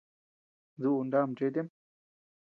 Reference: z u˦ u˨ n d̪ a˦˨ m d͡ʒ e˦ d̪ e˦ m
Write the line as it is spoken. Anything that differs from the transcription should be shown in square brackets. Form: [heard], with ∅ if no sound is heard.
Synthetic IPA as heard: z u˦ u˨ n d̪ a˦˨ m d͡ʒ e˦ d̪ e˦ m